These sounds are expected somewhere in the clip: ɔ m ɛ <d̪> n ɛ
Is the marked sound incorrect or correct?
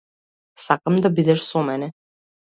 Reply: incorrect